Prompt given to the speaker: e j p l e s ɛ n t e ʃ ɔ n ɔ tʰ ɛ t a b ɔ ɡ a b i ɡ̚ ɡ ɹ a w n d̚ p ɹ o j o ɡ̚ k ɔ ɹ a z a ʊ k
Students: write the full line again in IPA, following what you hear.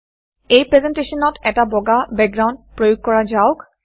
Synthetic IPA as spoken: e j p ɹ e z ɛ n t e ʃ ɔ n ɔ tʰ ɛ t a b ɔ ɡ a b ɛ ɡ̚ ɡ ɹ a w n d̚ p ɹ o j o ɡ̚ k ɔ ɹ a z a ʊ k